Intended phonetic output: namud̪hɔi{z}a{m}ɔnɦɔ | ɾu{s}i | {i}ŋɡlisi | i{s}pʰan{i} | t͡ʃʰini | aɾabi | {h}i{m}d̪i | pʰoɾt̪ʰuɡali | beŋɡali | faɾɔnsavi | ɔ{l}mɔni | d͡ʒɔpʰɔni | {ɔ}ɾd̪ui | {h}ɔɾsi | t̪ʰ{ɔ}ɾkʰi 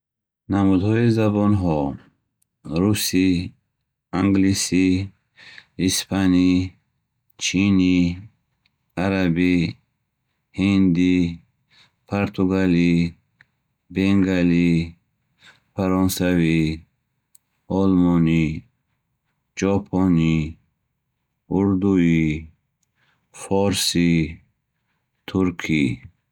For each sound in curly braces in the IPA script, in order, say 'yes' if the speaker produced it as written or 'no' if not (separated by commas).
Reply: yes, no, yes, no, yes, yes, yes, no, yes, no, no, no